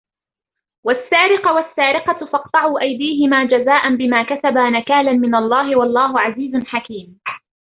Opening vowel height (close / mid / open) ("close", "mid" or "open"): open